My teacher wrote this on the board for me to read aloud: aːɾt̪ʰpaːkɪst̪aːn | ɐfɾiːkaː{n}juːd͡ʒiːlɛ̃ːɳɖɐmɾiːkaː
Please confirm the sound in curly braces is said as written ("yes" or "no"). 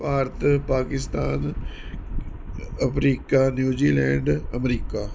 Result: yes